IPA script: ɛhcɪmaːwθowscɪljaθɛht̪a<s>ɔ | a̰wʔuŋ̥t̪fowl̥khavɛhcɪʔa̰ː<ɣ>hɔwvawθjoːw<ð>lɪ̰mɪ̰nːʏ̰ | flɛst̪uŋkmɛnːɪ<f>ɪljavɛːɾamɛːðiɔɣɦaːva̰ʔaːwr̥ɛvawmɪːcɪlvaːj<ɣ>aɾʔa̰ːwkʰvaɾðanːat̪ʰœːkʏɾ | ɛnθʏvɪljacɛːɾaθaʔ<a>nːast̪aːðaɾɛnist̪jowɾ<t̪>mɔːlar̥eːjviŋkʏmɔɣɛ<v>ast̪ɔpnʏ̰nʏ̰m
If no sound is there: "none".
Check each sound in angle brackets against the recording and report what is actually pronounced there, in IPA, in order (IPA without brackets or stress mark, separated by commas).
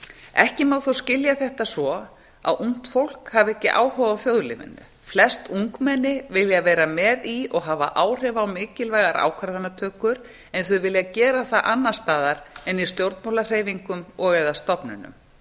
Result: s, w, ð, v, ɣ, a, t̪, ð